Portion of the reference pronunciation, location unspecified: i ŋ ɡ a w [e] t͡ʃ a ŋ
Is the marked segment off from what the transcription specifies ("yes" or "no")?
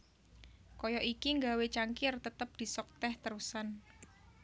no